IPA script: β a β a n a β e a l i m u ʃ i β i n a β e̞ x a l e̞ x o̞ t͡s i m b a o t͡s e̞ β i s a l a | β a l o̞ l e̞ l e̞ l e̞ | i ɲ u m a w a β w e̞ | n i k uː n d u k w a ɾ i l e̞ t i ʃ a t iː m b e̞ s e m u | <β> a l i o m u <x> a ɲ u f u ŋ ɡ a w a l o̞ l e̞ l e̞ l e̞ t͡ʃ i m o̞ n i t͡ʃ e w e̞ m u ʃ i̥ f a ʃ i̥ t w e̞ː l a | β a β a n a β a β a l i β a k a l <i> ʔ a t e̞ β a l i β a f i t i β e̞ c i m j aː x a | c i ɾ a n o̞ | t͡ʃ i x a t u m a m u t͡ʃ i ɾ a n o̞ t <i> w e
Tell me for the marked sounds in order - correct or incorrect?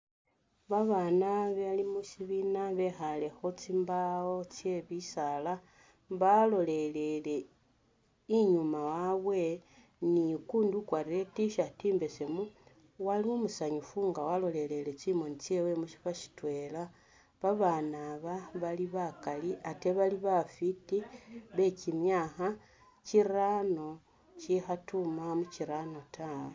incorrect: w, incorrect: s, correct, incorrect: a

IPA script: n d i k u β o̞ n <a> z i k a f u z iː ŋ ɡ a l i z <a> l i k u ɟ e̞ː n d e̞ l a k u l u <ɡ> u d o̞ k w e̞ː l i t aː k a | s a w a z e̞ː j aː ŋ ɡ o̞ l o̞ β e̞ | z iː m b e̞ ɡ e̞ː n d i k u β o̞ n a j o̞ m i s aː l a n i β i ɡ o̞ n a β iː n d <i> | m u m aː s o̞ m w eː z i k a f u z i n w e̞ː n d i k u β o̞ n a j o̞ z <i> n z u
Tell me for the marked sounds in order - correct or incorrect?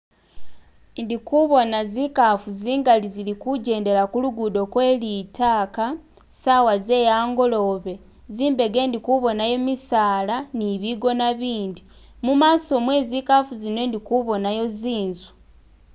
correct, incorrect: i, correct, correct, incorrect: iː

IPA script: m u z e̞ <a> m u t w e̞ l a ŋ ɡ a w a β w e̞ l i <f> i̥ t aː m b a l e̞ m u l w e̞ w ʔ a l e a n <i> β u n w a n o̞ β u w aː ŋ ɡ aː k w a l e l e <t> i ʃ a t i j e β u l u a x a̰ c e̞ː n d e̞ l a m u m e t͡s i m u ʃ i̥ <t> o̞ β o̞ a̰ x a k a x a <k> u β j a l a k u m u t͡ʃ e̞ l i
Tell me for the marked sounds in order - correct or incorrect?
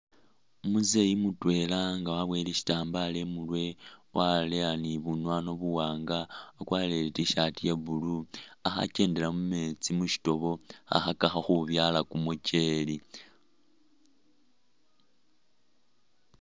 incorrect: i, incorrect: ʃ, correct, correct, correct, incorrect: x

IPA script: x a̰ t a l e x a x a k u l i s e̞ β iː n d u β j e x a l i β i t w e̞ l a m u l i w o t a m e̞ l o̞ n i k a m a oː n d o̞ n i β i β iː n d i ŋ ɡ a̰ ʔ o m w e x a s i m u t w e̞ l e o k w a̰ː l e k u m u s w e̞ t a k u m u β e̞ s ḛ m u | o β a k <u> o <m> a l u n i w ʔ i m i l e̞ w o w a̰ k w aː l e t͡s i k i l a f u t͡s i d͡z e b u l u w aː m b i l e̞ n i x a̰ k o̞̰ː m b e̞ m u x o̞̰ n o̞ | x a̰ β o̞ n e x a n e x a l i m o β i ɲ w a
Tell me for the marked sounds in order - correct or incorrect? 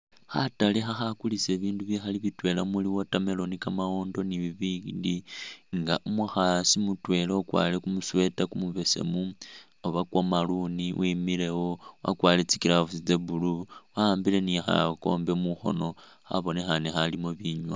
incorrect: w, correct

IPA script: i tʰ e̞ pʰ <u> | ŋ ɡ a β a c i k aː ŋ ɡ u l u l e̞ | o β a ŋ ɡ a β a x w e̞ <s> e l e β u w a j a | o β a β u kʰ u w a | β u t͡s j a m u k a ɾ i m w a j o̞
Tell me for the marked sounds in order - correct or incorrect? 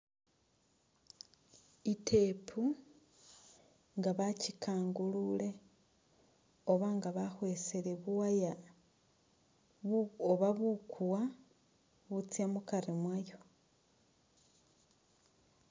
correct, correct

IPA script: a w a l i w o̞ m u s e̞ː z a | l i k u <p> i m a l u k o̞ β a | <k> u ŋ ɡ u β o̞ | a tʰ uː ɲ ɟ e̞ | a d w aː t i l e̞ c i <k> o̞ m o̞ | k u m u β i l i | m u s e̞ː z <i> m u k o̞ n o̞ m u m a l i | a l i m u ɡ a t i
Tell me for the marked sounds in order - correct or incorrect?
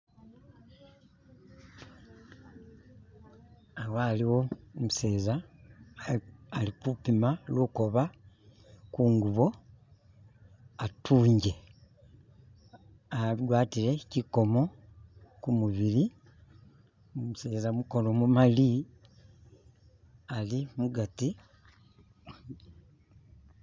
correct, correct, correct, incorrect: a

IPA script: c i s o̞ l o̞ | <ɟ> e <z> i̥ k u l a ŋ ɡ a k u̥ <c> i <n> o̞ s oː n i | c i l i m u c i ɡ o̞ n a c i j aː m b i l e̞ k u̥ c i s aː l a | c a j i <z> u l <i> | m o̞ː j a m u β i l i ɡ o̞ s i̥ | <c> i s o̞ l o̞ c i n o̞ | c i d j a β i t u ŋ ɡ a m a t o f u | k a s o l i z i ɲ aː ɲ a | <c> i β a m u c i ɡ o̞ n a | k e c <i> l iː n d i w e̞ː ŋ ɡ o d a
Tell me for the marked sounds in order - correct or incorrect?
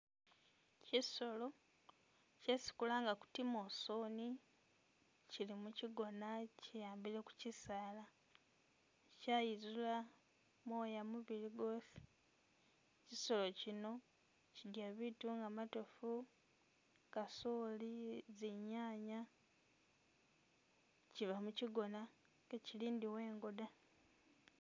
incorrect: c, incorrect: s, incorrect: t, incorrect: m, correct, incorrect: a, correct, correct, correct

